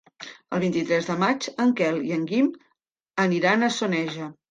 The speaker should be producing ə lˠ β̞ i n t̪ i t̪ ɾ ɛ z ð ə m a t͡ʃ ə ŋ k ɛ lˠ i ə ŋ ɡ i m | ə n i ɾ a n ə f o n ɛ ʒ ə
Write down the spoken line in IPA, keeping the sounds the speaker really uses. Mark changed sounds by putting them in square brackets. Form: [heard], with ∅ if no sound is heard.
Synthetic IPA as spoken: ə lˠ β̞ i n t̪ i t̪ ɾ ɛ z ð ə m a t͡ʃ ə ŋ k ɛ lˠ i ə ŋ ɡ i m | ə n i ɾ a n ə [s] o n ɛ ʒ ə